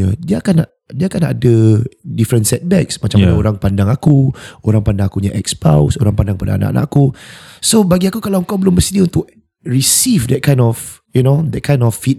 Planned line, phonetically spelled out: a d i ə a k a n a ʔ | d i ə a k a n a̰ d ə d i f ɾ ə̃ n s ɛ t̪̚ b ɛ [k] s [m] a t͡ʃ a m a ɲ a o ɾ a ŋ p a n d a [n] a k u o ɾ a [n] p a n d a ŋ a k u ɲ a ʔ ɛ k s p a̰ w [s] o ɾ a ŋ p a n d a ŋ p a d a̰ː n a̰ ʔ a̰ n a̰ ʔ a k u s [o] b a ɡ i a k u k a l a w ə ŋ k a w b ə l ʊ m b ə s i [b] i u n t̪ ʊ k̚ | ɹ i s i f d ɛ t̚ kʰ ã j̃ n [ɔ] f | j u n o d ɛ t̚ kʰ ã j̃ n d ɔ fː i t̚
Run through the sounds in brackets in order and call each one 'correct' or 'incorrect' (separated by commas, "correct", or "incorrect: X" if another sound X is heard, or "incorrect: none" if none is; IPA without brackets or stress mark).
correct, correct, incorrect: ŋ, incorrect: ŋ, correct, correct, incorrect: d, correct